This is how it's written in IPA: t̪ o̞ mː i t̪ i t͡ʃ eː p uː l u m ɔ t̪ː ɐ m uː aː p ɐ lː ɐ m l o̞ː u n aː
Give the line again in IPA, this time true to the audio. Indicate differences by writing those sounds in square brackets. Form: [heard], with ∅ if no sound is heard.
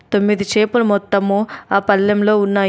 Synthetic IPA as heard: t̪ o̞ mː i [d̪] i t͡ʃ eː p [u] l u m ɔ t̪ː ɐ m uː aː p ɐ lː ɐ m l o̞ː u [nː] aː